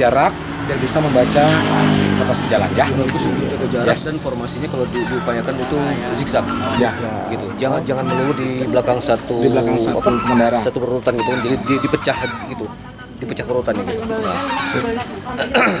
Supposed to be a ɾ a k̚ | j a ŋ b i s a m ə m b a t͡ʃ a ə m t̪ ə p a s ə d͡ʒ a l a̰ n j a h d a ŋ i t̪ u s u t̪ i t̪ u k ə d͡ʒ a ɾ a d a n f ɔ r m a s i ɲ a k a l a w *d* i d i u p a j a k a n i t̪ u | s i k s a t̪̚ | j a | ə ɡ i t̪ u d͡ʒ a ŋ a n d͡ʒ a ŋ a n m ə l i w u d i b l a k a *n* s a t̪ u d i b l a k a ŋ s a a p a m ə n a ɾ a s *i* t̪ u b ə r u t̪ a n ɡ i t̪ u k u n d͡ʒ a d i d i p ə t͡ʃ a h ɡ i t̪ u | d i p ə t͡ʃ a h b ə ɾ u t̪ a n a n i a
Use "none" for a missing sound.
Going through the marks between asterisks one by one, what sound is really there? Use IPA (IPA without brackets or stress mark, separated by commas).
d, ŋ, a